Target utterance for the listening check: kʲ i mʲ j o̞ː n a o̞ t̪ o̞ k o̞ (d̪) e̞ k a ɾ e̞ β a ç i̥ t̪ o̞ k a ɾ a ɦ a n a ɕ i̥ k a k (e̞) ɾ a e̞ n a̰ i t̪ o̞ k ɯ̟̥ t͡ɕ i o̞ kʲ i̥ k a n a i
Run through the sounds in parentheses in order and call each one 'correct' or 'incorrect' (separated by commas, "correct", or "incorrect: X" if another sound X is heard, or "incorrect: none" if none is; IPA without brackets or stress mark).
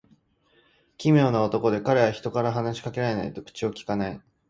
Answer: correct, correct